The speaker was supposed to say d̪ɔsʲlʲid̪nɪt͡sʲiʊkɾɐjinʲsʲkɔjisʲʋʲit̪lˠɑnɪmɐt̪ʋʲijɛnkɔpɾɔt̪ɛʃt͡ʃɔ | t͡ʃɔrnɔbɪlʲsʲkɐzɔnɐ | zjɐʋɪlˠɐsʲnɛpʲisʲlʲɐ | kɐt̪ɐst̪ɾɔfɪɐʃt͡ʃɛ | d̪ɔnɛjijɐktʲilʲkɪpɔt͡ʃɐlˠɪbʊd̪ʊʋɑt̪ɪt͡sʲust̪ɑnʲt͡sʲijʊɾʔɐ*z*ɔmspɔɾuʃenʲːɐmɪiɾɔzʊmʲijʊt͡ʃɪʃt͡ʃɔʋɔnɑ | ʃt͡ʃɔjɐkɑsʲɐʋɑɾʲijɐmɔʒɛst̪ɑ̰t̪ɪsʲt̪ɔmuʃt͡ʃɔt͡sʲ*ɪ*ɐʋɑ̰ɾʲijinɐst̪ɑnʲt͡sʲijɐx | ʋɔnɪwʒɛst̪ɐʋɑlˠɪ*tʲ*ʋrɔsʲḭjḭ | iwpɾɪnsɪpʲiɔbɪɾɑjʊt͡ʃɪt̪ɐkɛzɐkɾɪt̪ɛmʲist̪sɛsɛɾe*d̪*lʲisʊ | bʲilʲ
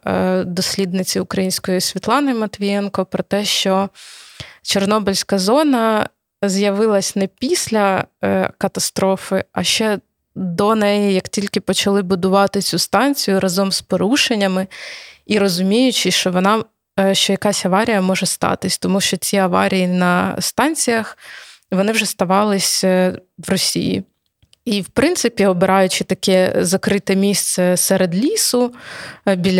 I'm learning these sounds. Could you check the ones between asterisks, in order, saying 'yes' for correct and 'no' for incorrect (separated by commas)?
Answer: yes, no, no, yes